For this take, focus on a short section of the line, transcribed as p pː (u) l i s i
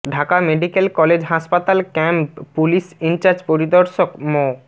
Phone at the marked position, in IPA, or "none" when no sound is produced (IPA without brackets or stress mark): u